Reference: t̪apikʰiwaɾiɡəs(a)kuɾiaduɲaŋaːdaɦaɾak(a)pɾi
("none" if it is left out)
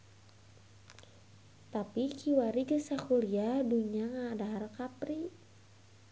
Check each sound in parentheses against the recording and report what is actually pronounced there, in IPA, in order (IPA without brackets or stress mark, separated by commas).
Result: a, a